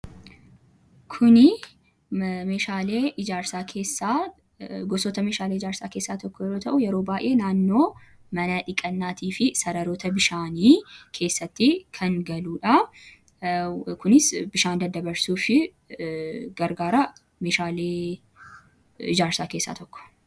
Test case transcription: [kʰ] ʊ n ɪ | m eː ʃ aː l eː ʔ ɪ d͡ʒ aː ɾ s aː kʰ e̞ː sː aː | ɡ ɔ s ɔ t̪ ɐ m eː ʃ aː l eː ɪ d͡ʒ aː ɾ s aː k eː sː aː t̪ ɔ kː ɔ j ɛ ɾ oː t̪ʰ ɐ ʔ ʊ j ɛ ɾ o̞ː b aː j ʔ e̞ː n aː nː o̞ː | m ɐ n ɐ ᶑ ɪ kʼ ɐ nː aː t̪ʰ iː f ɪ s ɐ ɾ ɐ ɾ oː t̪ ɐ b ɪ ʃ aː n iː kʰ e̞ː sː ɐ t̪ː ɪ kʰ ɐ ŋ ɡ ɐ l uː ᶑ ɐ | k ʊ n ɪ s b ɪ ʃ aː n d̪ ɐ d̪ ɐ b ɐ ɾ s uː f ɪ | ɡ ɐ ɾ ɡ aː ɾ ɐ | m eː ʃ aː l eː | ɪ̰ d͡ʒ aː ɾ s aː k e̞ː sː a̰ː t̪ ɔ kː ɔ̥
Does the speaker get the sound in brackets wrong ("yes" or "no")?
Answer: no